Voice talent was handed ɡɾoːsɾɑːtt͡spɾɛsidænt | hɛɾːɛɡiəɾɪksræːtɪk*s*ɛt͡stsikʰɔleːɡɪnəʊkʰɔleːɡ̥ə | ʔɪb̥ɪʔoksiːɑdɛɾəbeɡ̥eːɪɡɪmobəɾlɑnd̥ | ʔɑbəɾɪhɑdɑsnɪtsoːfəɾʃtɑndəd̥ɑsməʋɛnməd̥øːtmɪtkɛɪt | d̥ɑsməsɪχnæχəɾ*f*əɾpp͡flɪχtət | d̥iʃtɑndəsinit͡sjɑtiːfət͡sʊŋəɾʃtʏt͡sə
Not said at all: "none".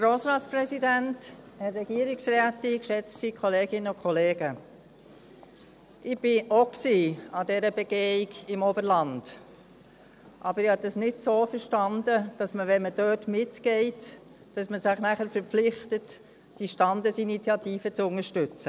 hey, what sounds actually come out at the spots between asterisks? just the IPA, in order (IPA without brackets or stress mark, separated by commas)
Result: ʃ, f